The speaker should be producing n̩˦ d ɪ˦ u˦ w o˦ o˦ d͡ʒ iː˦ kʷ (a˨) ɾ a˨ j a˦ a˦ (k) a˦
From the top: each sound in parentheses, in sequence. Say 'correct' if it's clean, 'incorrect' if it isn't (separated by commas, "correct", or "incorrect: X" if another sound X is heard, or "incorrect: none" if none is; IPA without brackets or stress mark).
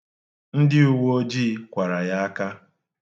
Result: correct, correct